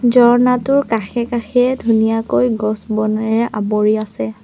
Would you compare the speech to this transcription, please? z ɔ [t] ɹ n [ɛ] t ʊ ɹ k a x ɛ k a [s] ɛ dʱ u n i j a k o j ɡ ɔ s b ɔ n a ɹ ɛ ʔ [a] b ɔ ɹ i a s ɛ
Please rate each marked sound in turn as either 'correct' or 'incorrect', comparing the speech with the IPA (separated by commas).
incorrect, incorrect, incorrect, correct